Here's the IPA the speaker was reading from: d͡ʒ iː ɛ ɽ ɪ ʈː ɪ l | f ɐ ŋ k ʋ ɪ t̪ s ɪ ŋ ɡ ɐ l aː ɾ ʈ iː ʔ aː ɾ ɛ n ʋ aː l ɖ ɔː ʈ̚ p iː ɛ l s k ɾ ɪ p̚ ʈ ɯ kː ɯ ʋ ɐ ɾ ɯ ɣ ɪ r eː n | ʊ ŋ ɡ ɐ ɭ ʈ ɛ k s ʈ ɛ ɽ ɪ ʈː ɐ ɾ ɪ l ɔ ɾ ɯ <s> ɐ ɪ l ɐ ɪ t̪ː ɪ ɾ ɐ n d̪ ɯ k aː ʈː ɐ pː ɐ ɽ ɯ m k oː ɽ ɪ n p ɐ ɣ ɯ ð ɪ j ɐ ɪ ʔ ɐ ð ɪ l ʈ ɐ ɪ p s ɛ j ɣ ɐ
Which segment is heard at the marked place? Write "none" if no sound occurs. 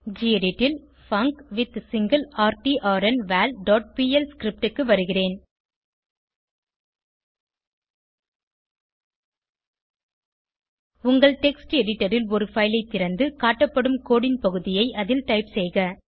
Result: f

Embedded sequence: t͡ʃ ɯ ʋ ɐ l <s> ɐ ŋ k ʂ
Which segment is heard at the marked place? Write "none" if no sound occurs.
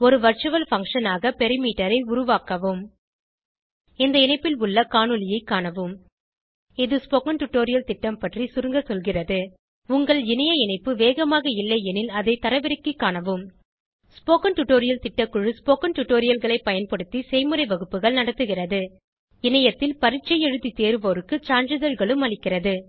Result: f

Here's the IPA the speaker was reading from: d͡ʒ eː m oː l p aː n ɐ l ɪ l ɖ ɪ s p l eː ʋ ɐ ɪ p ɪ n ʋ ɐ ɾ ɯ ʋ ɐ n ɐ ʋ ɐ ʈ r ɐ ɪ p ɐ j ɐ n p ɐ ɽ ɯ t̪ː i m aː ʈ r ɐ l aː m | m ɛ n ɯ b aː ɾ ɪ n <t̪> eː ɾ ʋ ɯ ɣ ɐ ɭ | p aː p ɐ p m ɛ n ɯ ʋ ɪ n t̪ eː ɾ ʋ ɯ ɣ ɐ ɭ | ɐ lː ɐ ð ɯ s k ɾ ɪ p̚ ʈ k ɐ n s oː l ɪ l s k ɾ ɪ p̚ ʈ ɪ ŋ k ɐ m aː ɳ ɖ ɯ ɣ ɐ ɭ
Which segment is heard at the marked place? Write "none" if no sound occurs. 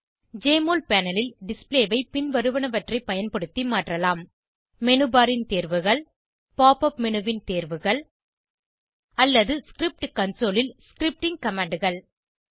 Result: t̪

